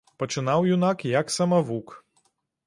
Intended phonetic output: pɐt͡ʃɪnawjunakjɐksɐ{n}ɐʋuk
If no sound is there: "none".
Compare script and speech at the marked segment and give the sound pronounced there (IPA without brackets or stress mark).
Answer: m